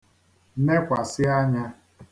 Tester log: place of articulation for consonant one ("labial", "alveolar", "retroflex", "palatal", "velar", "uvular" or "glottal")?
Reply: alveolar